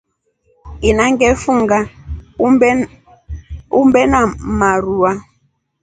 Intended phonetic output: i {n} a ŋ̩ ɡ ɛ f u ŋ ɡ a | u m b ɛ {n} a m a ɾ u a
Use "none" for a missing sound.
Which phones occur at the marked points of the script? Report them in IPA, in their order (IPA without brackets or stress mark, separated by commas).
n, n